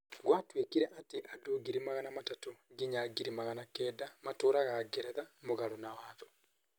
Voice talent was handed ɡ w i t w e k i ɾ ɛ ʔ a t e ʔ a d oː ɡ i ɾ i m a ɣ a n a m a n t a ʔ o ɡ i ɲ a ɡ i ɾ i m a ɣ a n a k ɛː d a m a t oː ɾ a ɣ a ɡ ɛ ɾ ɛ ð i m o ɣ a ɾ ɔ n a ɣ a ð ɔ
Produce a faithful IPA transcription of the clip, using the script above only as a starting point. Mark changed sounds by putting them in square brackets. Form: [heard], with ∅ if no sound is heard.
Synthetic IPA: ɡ w [a] t w e k i ɾ ɛ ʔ a t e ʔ a d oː ɡ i ɾ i m a ɣ a n a m a [∅] t a [t] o ɡ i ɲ a ɡ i ɾ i m a ɣ a n a k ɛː d a m a t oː ɾ a ɣ a ɡ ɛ ɾ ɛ ð [a] m o ɣ a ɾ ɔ n a [w] a ð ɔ